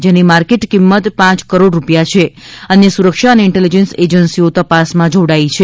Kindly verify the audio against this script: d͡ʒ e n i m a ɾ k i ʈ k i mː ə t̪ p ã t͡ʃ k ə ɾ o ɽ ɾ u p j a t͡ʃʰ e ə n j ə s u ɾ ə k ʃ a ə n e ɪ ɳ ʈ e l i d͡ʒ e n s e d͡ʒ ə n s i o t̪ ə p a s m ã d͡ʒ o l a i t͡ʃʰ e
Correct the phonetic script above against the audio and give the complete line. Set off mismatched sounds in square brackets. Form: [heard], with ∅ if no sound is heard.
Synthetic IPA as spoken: d͡ʒ e n i m a ɾ k [e] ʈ k i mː ə t̪ p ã t͡ʃ k ə ɾ o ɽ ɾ u p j a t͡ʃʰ e ə n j ə s u ɾ ə k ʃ a ə n e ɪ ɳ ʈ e l i d͡ʒ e n s e d͡ʒ ə n s i o t̪ ə p a s m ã d͡ʒ o [ɽ] a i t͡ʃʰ e